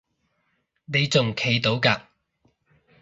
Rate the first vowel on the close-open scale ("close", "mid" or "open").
mid